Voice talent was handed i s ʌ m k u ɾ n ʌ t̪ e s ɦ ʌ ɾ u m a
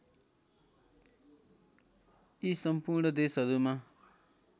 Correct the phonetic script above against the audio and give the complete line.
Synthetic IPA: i s ʌ m p u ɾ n ʌ d̪ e s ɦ ʌ ɾ u m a